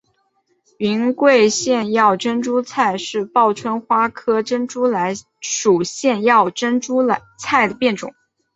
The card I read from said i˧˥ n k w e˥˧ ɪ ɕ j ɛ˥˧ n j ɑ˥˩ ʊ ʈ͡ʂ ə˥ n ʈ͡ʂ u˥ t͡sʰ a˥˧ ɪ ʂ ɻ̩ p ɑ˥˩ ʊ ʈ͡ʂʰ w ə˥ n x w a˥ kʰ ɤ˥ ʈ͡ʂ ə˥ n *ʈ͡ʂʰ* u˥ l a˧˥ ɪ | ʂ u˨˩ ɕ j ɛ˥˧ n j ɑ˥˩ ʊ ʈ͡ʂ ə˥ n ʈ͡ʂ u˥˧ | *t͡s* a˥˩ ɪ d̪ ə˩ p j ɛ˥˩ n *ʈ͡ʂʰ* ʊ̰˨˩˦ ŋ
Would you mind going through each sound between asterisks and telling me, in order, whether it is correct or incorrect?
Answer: incorrect: ʈ͡ʂ, incorrect: t͡sʰ, incorrect: ʈ͡ʂ

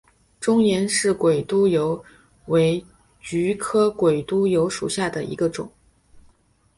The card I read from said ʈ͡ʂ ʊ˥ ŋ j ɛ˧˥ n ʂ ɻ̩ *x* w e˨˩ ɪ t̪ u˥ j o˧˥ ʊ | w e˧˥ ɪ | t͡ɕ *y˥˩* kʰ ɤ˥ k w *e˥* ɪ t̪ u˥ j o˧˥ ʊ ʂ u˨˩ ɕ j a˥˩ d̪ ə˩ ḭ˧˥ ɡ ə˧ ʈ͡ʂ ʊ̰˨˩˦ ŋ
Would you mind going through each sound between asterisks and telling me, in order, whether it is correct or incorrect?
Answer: incorrect: k, incorrect: y˧˥, incorrect: e˨˩

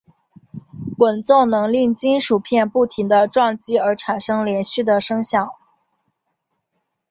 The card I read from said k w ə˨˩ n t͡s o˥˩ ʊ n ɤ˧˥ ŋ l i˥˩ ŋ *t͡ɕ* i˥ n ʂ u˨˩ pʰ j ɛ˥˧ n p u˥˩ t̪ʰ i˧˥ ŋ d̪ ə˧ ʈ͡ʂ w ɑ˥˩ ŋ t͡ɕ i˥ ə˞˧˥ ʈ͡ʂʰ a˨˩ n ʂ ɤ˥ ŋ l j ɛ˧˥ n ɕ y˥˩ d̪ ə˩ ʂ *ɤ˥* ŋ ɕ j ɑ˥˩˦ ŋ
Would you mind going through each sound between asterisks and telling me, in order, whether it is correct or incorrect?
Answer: correct, correct

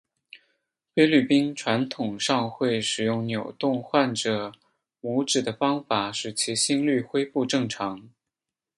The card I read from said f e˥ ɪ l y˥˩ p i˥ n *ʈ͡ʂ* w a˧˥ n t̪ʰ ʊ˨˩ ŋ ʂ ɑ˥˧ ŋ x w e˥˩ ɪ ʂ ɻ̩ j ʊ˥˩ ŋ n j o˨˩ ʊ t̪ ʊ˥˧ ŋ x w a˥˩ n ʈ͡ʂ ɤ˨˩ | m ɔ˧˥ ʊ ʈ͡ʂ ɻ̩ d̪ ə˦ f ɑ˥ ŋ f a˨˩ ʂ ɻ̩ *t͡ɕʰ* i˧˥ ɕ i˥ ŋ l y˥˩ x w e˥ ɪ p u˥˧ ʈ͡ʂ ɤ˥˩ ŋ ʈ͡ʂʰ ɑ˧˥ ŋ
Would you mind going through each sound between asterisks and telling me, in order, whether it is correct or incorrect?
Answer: incorrect: ʈ͡ʂʰ, correct

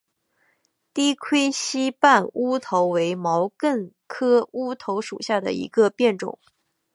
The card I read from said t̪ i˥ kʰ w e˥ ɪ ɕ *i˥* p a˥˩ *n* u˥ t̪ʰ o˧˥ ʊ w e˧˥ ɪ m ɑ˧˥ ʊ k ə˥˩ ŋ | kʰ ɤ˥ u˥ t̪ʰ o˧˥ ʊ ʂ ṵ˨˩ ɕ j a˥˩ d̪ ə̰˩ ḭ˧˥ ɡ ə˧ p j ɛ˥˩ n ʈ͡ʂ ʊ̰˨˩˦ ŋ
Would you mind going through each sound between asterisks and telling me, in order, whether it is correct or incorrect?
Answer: correct, correct

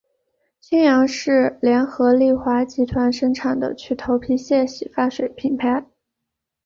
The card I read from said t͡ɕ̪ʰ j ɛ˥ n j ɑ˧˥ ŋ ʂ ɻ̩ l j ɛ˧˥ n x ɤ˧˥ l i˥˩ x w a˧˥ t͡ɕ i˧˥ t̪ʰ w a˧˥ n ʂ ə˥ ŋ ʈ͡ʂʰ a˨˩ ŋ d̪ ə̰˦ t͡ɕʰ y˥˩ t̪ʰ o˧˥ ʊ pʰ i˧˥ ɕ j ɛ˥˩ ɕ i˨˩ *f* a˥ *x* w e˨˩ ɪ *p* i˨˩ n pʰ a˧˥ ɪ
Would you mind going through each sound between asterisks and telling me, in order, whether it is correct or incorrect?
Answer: correct, incorrect: ʂ, incorrect: pʰ

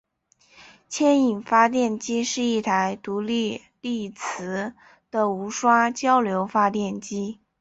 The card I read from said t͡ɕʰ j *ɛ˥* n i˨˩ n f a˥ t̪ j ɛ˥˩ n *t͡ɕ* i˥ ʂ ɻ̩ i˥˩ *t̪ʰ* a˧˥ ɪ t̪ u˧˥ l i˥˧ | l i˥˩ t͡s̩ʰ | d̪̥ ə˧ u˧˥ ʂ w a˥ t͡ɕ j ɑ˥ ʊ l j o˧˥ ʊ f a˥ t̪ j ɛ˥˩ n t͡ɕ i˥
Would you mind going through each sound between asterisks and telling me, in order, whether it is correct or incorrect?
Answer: correct, correct, correct

